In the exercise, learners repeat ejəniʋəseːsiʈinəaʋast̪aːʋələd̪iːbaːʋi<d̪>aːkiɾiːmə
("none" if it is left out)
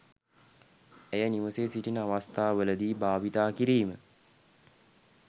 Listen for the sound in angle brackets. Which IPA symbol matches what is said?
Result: t̪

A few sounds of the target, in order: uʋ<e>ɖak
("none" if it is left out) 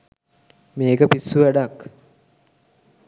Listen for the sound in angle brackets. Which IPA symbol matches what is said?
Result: æ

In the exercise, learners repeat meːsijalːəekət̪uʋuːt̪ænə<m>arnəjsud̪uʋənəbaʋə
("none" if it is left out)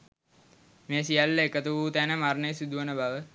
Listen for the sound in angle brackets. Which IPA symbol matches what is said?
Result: m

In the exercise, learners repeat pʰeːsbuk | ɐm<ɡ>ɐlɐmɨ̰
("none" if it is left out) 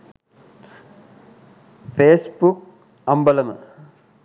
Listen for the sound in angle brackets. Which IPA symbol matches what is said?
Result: b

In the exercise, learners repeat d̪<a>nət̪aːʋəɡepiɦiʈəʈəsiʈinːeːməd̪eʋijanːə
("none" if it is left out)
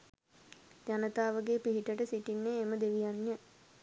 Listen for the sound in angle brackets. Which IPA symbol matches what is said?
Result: a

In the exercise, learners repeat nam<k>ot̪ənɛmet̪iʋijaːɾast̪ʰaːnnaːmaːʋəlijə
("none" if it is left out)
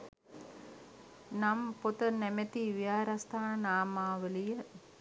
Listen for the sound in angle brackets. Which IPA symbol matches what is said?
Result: p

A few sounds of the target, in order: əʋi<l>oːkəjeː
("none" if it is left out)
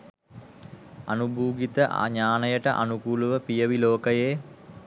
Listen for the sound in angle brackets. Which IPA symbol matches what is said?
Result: l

